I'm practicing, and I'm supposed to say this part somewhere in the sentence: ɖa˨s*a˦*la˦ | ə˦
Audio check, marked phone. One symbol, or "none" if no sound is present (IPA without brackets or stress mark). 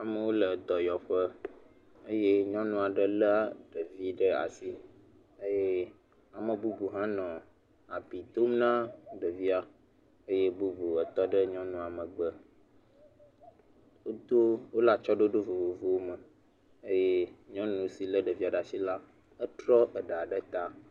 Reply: i˦